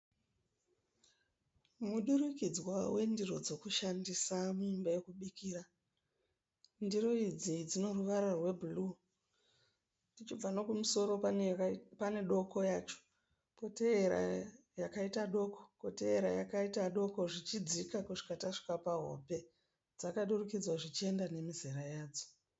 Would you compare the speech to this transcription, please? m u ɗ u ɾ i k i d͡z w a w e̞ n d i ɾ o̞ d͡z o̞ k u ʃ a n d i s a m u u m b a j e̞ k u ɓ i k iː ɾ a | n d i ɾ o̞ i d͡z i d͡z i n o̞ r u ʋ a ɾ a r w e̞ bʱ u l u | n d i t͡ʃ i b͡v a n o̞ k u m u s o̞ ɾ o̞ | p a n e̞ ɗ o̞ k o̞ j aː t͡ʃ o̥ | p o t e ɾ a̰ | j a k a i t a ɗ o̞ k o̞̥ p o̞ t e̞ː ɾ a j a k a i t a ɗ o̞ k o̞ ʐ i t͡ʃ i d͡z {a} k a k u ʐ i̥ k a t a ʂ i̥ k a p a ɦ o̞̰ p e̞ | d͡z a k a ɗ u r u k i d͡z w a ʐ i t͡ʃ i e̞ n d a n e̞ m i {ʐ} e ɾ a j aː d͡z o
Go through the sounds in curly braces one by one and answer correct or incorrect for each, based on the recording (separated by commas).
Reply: incorrect, incorrect